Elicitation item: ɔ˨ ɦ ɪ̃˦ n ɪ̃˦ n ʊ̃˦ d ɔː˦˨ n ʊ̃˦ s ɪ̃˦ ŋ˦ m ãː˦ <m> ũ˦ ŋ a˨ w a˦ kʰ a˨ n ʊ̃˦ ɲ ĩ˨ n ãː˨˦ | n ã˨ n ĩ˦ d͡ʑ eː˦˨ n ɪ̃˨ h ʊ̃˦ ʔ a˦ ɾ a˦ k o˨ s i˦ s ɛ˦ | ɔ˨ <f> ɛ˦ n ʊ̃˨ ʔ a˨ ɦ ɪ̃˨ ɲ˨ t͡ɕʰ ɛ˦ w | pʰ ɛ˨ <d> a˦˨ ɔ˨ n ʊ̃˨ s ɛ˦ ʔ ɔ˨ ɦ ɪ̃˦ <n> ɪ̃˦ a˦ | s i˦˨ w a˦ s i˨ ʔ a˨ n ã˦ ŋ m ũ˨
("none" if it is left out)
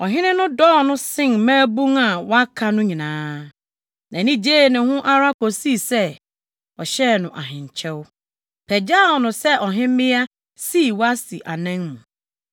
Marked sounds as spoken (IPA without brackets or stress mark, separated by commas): b, ɕ, d͡ʑ, m